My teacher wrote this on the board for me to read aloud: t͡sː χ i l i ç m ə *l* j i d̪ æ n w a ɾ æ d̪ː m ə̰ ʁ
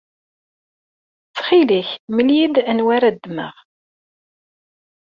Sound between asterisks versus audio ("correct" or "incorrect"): correct